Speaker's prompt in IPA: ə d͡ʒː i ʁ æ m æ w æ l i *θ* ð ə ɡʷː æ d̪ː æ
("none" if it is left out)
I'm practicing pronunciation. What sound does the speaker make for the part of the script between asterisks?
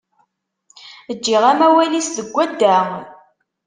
s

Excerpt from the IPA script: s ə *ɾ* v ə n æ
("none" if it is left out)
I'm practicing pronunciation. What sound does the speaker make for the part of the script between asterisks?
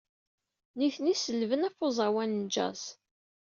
l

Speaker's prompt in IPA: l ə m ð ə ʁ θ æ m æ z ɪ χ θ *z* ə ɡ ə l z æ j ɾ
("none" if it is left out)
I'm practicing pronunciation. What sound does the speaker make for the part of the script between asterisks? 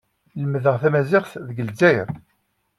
ð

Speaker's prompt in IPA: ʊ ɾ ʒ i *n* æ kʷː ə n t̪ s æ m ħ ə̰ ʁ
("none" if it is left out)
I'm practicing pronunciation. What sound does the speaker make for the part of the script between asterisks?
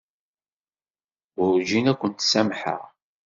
n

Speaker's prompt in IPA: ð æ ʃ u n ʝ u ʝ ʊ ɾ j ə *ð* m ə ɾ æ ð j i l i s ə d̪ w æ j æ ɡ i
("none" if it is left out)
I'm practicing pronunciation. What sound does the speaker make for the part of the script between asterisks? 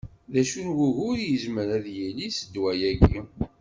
z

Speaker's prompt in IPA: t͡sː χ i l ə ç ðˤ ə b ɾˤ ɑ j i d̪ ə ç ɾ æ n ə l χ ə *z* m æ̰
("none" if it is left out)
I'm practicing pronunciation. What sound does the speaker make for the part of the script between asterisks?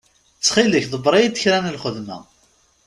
ð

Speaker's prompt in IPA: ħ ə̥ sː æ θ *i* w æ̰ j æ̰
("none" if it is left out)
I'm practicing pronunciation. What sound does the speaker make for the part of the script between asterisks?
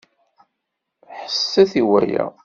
i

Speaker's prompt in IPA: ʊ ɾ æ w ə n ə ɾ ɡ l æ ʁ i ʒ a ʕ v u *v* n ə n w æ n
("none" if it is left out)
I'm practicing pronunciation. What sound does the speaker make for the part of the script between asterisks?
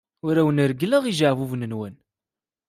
v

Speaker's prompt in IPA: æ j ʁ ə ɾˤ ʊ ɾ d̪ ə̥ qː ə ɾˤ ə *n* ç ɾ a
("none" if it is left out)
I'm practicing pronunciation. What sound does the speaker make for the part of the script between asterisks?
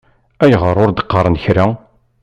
n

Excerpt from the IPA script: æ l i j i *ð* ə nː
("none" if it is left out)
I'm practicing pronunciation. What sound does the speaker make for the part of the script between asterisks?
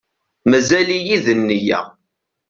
ð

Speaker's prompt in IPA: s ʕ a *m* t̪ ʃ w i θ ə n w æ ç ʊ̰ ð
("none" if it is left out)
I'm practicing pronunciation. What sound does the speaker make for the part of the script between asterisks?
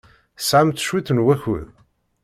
m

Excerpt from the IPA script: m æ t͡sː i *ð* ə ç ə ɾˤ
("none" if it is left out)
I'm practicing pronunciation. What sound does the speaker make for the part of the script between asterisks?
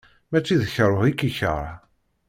ð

